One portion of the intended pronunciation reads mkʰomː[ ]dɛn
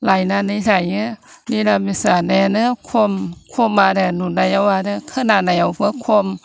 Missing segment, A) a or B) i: A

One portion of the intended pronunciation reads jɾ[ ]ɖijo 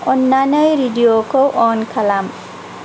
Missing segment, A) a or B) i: B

